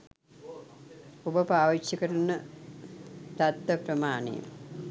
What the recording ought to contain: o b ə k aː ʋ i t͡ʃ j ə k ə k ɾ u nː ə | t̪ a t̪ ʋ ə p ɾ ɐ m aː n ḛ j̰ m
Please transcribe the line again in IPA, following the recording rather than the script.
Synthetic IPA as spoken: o b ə p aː ʋ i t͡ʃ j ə k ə ɾ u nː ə | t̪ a t̪ ʋ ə p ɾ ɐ m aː n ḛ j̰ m